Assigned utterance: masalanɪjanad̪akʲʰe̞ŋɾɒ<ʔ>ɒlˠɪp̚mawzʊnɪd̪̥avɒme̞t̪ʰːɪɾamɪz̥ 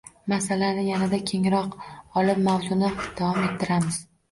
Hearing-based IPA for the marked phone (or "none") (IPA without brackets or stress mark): q